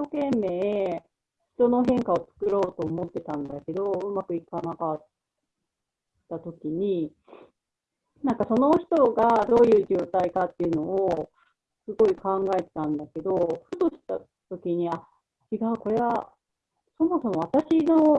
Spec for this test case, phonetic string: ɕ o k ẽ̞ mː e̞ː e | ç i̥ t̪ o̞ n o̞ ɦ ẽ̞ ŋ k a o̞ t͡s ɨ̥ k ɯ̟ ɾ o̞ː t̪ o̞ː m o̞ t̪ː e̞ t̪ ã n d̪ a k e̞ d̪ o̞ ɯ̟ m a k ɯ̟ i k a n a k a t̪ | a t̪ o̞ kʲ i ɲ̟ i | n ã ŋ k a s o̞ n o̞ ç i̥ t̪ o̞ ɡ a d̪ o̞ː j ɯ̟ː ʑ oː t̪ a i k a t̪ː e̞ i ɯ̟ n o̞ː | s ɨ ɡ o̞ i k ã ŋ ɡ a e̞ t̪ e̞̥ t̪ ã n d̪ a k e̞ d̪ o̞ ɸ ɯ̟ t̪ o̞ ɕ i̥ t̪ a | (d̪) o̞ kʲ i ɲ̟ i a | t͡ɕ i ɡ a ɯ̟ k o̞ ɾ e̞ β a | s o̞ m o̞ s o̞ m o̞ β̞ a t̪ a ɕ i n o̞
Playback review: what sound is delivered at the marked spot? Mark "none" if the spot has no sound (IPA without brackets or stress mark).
t̪